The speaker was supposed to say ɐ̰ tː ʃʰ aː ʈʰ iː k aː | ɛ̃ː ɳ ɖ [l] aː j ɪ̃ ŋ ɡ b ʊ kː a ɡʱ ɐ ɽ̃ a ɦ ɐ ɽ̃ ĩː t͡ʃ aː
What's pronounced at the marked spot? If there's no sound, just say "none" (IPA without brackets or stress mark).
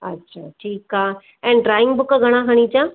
ɾ